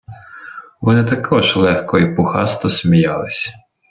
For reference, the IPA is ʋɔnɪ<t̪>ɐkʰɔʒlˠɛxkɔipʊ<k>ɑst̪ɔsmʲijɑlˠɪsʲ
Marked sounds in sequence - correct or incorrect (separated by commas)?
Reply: correct, incorrect